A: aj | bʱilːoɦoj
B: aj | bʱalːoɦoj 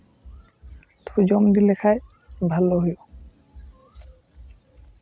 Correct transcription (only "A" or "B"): B